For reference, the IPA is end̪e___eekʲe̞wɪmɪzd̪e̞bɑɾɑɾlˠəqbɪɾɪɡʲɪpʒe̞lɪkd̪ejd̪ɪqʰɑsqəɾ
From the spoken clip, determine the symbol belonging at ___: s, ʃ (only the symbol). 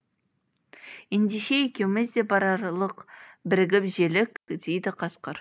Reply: ʃ